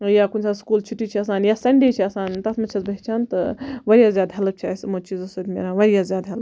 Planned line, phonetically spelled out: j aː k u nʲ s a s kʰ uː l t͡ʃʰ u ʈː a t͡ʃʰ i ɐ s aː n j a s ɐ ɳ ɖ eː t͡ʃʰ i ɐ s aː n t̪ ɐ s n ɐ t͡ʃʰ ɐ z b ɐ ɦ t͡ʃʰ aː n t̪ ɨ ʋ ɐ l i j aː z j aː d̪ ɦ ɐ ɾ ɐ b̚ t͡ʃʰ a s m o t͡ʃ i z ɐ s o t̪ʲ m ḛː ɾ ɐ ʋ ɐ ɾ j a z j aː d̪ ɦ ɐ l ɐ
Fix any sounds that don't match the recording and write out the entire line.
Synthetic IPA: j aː k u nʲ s a s k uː l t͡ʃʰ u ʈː i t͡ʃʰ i ɐ s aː n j a s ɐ ɳ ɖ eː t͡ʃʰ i ɐ s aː n t̪ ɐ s m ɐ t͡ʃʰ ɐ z b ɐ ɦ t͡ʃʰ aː n t̪ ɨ ʋ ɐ ɾ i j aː z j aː d̪ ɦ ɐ l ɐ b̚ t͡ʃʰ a s m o t͡ʃ i z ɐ s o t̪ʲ m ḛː ɾ a ʋ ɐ ɾ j a z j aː d̪ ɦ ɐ l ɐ